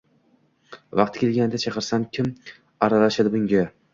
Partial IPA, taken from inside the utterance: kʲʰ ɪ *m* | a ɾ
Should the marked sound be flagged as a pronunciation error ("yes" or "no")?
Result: no